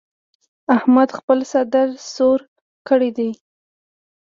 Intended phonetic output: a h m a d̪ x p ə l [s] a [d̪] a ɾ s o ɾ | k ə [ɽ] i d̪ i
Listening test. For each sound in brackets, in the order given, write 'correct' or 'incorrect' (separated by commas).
correct, correct, correct